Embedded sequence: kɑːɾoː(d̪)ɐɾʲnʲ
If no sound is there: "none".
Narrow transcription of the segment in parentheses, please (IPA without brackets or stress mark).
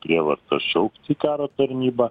t̪